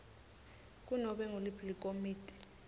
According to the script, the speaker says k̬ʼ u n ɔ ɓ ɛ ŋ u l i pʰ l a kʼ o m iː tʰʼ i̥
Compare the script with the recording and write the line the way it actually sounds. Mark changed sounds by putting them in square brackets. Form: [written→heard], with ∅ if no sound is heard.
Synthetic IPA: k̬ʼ u n ɔ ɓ ɛ ŋ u l i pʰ l [a→i] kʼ o m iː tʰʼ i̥